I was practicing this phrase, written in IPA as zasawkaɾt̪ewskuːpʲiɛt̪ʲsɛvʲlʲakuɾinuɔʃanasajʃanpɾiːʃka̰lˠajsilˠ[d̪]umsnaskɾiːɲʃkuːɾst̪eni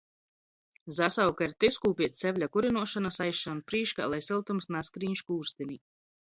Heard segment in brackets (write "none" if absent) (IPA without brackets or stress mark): t̪